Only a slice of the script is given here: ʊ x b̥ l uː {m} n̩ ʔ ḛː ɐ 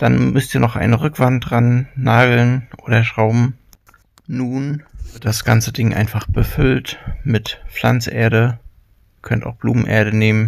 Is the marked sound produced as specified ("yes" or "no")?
yes